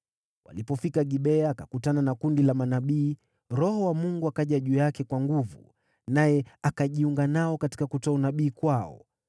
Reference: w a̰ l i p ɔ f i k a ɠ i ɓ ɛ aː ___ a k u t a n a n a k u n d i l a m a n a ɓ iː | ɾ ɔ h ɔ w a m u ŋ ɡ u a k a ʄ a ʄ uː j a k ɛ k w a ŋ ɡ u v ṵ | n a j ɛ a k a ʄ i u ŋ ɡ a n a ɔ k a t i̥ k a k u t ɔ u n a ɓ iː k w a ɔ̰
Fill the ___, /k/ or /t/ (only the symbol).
k